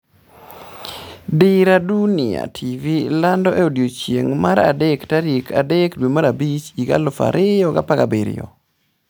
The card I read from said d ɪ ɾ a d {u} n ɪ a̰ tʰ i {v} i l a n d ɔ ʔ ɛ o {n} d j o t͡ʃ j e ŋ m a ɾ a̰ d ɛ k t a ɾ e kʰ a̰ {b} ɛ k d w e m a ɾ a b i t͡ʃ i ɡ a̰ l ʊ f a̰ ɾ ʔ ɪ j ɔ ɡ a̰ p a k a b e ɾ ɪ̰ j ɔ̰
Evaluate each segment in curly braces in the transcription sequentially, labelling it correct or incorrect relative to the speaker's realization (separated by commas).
correct, correct, incorrect, incorrect